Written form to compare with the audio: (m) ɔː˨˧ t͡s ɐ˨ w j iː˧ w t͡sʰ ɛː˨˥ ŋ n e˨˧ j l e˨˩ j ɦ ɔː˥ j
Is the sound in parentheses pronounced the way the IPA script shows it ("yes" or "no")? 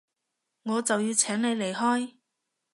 no